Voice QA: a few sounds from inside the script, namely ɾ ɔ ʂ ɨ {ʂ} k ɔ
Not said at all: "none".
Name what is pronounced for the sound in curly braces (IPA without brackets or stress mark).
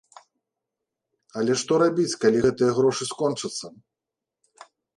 s